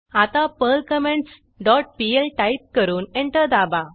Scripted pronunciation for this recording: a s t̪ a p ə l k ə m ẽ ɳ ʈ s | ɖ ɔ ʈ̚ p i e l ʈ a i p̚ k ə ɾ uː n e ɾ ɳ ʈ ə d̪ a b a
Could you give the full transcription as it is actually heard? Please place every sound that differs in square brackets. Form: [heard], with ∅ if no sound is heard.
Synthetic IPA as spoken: a [∅] t̪ a p ə l k ə m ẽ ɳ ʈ s | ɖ ɔ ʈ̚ p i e l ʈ a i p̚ k ə ɾ uː n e [∅] ɳ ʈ ə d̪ a b a